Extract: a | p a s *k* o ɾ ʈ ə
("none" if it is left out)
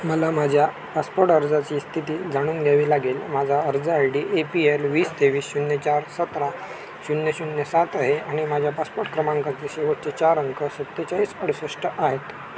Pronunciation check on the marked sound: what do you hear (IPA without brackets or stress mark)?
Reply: p